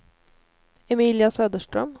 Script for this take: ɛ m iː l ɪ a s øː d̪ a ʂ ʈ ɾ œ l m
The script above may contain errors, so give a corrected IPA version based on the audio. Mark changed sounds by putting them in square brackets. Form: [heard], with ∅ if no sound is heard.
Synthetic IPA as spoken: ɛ m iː l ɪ a s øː d̪ [ə] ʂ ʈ ɾ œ [∅] m